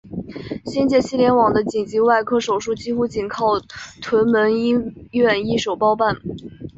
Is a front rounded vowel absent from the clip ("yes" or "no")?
yes